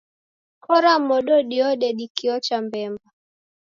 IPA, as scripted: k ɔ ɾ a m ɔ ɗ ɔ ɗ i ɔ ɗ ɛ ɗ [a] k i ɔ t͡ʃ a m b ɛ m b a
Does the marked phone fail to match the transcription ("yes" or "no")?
yes